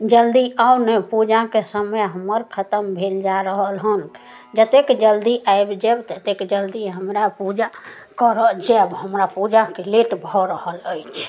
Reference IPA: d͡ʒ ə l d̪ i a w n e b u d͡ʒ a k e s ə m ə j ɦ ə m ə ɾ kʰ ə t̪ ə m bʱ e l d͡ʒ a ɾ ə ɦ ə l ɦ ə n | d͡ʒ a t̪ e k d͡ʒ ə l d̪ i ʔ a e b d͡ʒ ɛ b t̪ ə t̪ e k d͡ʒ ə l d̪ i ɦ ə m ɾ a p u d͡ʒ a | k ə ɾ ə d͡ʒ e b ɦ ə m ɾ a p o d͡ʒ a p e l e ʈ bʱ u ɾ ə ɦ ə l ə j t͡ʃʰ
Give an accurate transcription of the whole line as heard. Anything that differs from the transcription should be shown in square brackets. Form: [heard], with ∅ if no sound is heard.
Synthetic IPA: d͡ʒ ə l d̪ i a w n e [p] u d͡ʒ a k e s ə m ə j ɦ ə m ə ɾ kʰ ə t̪ ə m bʱ e l d͡ʒ a ɾ ə ɦ ə l ɦ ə n | d͡ʒ [ə] t̪ e k d͡ʒ ə l d̪ i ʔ a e b d͡ʒ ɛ b t̪ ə t̪ e k d͡ʒ ə l d̪ i ɦ ə m ɾ a p u d͡ʒ a | k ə ɾ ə d͡ʒ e b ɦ ə m ɾ a p [u] d͡ʒ a [k] e l e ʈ bʱ [ɔ] ɾ ə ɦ ə l ə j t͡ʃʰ